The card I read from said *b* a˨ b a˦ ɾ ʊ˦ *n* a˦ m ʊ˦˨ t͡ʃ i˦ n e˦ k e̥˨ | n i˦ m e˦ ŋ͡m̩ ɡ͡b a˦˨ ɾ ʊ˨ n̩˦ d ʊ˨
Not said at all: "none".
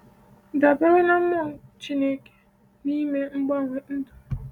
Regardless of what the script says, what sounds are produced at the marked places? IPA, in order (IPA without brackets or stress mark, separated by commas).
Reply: d, n